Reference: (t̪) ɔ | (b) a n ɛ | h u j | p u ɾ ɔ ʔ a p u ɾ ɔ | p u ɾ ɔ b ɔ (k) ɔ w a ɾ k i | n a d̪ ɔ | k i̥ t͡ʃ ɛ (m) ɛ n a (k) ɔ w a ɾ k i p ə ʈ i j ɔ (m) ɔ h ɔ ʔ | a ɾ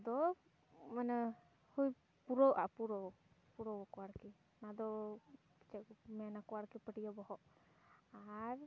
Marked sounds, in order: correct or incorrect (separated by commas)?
incorrect, incorrect, correct, correct, correct, incorrect